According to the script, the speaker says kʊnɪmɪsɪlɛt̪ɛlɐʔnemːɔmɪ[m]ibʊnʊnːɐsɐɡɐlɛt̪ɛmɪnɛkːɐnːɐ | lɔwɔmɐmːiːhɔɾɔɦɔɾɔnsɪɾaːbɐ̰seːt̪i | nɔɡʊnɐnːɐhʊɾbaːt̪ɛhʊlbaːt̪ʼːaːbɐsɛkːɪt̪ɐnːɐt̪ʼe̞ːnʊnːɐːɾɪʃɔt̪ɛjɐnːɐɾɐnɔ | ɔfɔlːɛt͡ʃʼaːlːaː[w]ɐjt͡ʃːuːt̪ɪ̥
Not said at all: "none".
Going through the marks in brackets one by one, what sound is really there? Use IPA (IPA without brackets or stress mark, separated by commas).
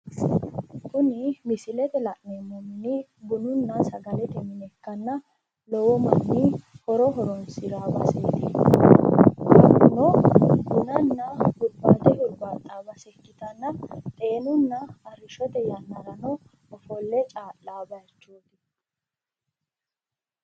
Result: n, b